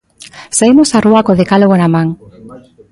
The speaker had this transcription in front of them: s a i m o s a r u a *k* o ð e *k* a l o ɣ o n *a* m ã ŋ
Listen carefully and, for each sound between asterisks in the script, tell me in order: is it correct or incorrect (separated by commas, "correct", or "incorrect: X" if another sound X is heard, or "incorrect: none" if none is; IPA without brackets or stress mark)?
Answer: correct, correct, correct